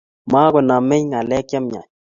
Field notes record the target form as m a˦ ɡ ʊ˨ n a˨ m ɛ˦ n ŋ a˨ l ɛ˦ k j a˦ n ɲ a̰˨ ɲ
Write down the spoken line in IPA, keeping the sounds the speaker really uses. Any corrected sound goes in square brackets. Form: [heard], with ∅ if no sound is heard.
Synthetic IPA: m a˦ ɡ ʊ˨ n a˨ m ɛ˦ [ɲ] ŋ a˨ l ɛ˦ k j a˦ [m] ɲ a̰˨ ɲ